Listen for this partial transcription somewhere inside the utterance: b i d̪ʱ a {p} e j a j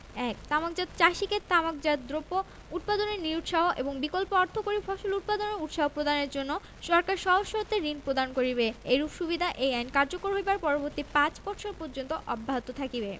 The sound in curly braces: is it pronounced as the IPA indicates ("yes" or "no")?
no